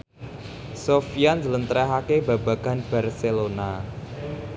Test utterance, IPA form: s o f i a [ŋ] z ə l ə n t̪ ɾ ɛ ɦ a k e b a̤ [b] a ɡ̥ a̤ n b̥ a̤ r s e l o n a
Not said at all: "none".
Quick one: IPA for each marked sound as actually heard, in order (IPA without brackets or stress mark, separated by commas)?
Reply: n, b